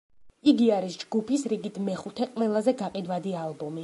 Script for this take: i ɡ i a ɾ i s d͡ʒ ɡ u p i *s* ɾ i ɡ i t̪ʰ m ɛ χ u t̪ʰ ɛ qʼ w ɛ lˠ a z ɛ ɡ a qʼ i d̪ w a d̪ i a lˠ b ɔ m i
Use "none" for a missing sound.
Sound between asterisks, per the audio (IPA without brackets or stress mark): s